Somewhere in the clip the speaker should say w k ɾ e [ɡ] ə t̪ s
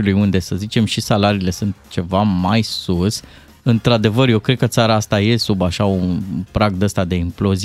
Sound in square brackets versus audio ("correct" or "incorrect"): incorrect